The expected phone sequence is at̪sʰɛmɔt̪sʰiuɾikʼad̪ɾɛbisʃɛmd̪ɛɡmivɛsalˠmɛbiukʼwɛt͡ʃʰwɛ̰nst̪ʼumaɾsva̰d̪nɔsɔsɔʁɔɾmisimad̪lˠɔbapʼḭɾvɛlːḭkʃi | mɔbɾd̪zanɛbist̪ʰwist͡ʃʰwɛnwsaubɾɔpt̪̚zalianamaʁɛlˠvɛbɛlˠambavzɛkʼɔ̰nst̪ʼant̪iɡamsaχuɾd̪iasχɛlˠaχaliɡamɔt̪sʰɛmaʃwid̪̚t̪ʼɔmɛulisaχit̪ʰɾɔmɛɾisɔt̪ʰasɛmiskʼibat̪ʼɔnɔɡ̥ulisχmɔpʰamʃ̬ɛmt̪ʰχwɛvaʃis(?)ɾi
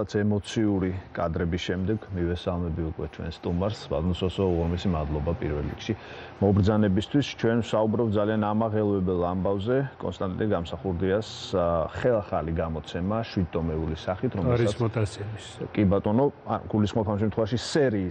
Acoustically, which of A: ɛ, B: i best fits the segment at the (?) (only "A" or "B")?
A